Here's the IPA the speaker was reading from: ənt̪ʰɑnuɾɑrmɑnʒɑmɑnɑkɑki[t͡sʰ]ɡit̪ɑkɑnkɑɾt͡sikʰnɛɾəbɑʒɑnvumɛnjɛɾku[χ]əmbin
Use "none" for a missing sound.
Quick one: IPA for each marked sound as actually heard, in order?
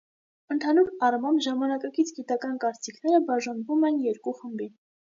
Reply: t͡sʰ, χ

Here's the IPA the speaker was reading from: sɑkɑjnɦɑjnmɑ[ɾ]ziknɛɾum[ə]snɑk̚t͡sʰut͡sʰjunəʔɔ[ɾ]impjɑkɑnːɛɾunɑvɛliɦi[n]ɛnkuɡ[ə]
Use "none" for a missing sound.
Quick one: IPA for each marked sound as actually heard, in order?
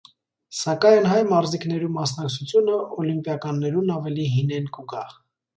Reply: ɾ, ɑ, l, n, ɑ

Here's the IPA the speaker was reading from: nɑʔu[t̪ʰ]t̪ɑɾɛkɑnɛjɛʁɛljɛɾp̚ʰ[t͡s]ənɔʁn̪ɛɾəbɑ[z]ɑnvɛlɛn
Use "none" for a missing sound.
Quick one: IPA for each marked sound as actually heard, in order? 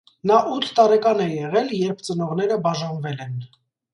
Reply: t̪ʰ, t͡s, ʒ

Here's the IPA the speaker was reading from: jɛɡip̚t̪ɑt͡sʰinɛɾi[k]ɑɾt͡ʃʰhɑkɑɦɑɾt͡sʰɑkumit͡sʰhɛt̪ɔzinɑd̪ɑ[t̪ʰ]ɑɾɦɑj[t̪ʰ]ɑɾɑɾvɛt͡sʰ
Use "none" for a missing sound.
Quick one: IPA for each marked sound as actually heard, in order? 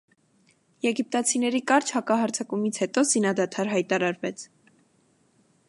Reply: k, t̪ʰ, t̪

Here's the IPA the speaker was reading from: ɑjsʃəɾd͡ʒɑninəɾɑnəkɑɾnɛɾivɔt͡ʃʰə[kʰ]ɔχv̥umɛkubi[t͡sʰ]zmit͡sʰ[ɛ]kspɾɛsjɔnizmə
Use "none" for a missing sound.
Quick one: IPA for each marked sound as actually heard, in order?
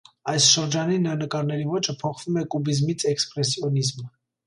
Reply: pʰ, none, ɛ

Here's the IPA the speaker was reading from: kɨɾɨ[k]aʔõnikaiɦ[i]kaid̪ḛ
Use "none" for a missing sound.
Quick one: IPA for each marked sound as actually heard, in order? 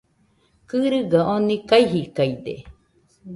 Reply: ɡ, i

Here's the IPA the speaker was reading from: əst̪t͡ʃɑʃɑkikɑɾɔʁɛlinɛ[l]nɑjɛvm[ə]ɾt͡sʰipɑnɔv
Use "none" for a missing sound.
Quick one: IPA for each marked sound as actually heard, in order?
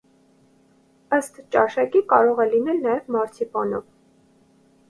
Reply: l, ɑ

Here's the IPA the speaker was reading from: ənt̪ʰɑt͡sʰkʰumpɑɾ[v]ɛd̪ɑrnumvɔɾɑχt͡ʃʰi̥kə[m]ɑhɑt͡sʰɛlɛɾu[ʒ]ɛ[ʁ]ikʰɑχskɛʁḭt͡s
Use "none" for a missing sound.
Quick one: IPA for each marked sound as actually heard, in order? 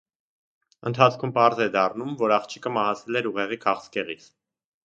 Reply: z, m, ʁ, ʁ

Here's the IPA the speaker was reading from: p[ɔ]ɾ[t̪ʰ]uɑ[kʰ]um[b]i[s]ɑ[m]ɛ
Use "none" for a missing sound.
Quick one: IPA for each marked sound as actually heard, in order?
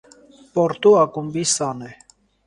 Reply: ɔ, t̪, k, b, s, n

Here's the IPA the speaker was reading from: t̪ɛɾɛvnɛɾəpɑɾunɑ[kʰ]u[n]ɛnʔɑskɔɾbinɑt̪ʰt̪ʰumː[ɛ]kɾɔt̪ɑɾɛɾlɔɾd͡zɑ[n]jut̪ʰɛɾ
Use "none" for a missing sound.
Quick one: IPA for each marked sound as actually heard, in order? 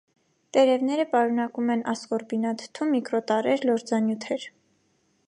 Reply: k, m, i, n

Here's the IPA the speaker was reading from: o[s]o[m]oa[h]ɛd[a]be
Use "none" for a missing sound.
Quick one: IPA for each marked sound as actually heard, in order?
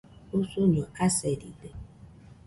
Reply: s, ɲ, s, i

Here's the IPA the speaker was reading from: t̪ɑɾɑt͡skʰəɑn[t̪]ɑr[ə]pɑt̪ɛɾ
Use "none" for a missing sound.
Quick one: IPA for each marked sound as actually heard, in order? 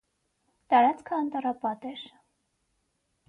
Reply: t̪, ɑ

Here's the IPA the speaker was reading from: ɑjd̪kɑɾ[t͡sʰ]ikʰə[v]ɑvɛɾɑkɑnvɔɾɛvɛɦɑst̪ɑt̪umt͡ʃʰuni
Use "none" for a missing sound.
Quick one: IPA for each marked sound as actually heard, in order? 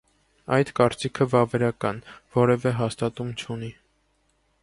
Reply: t͡s, v

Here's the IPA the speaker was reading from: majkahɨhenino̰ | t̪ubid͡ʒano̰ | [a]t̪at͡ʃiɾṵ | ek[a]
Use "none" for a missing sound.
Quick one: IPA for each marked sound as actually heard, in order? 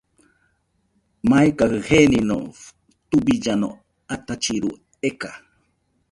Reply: a, a

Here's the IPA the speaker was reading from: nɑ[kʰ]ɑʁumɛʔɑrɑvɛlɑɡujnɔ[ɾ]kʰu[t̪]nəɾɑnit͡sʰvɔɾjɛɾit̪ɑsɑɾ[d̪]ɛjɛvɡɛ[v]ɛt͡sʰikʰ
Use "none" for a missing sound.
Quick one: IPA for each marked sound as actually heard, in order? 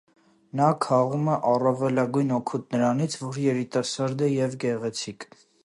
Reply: kʰ, none, t̪, d̪, ʁ

